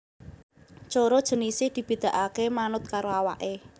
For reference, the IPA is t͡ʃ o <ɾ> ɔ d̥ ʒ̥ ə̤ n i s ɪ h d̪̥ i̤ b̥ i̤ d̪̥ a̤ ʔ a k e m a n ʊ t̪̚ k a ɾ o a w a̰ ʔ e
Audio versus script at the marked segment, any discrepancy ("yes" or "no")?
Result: no